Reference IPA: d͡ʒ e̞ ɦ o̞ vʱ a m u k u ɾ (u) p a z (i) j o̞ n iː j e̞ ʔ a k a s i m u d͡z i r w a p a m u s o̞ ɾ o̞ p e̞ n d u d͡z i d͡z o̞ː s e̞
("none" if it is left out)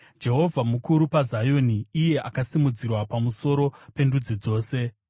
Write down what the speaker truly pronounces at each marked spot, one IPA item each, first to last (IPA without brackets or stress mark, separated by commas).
u, a